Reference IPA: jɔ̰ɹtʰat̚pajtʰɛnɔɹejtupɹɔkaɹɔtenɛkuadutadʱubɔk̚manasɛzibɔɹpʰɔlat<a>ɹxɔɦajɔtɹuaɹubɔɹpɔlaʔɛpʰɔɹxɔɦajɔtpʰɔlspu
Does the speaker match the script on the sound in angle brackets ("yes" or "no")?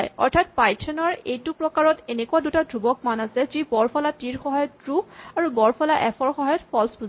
no